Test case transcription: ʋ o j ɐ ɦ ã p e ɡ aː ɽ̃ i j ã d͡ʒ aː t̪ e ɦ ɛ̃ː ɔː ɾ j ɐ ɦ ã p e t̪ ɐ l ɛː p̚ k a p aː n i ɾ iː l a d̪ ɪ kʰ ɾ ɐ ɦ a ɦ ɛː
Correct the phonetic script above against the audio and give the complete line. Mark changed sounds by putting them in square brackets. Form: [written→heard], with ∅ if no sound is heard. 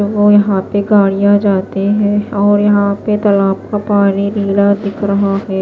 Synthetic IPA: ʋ o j ɐ ɦ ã p e ɡ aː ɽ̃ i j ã d͡ʒ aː t̪ e ɦ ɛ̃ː ɔː ɾ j ɐ ɦ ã p e t̪ ɐ l [ɛː→aː] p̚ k a p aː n i ɾ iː l a d̪ ɪ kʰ ɾ ɐ ɦ a ɦ ɛː